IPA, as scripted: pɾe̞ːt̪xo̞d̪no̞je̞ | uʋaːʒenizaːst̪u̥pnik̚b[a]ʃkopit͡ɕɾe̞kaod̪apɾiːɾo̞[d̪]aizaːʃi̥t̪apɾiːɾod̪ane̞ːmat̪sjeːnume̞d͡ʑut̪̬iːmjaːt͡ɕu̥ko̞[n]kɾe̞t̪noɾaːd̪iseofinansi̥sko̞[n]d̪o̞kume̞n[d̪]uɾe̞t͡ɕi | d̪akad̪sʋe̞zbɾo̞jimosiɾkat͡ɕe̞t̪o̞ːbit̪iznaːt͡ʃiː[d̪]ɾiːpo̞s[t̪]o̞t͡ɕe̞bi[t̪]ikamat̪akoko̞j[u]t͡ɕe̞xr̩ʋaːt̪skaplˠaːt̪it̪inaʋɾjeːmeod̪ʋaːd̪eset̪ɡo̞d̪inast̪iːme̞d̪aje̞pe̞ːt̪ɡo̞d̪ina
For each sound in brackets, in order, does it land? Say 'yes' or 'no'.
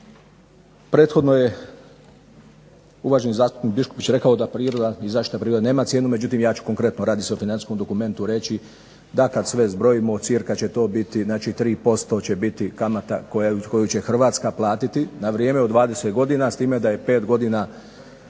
no, yes, no, no, no, no, yes, yes, yes

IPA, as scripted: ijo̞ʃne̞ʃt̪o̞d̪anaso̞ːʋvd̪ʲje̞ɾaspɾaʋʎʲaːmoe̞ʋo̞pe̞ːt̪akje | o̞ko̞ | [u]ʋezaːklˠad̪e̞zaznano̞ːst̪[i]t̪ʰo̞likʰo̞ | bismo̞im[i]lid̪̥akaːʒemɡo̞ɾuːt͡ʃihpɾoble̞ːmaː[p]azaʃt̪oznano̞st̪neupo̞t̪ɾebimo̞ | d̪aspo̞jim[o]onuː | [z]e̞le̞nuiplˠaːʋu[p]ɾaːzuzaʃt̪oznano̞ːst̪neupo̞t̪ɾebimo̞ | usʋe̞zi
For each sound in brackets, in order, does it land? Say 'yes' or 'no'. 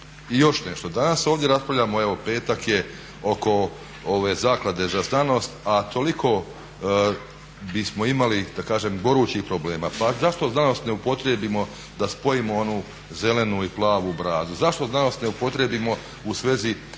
no, no, no, yes, yes, yes, no

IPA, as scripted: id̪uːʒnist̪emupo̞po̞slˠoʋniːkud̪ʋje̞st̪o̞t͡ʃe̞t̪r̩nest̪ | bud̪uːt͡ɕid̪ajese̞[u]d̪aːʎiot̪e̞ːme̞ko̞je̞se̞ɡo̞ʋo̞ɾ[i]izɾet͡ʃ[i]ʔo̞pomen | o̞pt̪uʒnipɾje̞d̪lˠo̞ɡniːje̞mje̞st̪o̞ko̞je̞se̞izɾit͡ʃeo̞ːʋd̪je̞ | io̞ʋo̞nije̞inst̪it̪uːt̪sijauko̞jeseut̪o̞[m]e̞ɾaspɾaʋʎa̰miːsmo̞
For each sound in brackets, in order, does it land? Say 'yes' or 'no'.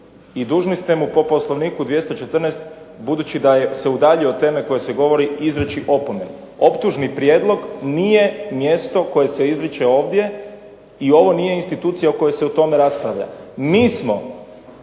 yes, yes, yes, yes

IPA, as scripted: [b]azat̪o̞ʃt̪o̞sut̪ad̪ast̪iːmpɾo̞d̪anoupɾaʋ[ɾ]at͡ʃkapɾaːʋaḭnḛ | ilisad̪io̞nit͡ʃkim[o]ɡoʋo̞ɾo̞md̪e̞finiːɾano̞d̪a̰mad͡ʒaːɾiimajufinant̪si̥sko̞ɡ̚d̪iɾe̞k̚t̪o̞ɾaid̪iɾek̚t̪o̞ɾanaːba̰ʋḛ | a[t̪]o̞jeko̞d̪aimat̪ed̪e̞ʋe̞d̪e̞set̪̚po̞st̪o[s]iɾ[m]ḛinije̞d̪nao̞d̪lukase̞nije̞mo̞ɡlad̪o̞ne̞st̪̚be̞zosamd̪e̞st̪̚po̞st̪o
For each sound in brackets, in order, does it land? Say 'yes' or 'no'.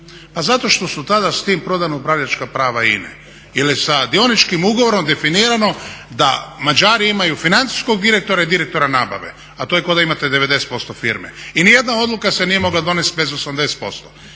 no, no, no, yes, no, yes

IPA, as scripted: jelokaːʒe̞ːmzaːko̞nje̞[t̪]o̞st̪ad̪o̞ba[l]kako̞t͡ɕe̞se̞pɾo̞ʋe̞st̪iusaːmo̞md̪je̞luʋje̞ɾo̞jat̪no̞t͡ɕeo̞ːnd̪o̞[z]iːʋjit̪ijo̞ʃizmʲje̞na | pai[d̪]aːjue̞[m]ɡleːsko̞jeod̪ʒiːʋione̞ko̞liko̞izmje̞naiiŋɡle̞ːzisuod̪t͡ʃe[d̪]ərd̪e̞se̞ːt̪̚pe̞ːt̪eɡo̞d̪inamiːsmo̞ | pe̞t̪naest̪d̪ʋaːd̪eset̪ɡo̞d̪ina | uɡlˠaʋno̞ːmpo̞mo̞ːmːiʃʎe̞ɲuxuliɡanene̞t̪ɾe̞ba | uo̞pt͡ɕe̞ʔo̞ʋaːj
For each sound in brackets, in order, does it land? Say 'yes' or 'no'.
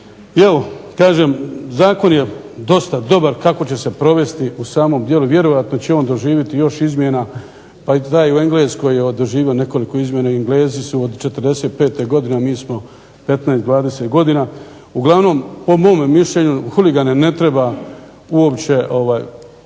no, no, no, no, no, no

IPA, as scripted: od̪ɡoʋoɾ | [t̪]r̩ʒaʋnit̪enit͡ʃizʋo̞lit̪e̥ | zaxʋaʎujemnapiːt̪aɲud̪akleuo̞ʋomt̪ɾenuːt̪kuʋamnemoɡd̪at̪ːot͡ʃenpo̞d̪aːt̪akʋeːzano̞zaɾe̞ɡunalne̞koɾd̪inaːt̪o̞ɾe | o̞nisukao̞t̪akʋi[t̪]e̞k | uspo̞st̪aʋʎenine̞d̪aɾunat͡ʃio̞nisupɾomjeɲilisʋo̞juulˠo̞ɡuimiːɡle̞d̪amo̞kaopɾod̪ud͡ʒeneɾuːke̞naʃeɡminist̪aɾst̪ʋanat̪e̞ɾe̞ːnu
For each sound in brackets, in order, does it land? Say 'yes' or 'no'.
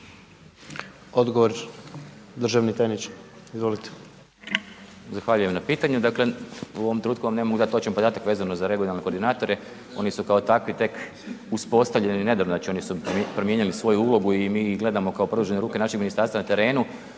no, yes

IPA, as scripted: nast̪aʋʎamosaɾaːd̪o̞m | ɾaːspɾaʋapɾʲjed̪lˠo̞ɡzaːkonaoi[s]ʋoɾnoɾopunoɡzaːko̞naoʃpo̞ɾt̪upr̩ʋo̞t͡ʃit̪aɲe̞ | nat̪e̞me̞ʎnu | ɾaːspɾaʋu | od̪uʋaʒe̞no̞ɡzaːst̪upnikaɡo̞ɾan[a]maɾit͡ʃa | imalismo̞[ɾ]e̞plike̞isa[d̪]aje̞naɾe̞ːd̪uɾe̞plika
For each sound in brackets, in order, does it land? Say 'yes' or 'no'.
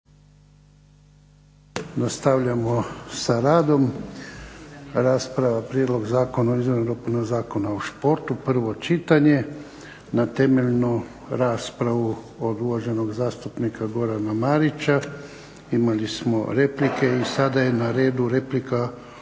no, yes, yes, yes

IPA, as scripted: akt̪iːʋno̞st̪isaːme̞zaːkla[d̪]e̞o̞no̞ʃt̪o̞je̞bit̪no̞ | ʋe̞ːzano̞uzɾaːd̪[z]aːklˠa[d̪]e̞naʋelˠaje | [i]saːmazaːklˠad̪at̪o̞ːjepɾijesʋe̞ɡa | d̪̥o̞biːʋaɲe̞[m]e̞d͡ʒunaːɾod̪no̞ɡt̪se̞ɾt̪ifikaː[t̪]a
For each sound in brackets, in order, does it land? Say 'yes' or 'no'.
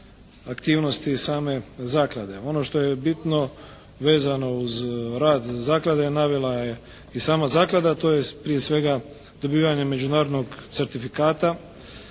yes, yes, yes, yes, yes, yes

